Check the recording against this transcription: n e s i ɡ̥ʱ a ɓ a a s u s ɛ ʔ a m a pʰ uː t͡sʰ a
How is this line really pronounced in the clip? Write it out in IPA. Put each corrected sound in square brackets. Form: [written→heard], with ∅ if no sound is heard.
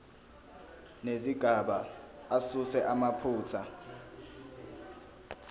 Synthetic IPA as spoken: n e [s→z] i ɡ̥ʱ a ɓ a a s u s ɛ ʔ a m a pʰ uː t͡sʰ a